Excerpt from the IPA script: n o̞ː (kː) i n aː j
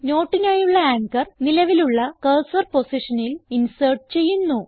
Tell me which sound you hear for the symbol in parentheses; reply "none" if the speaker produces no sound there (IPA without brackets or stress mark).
ʈː